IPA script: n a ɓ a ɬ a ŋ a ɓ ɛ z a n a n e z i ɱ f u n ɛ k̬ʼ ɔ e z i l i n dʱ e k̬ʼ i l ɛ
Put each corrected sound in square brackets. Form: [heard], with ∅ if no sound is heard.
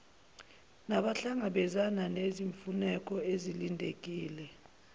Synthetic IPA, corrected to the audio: n a ɓ a ɬ a ŋ a ɓ ɛ z a n a n e z i ɱ f u n ɛ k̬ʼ ɔ e z i l i n dʱ e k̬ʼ [iː] l ɛ